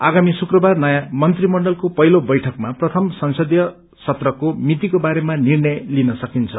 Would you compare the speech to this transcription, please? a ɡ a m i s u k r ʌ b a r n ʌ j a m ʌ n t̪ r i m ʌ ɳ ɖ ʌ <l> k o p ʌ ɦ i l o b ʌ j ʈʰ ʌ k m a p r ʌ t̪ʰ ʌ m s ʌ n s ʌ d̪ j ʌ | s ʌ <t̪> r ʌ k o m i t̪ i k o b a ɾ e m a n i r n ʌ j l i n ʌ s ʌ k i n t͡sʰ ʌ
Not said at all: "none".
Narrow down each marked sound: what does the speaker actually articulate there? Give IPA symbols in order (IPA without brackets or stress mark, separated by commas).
l, t̪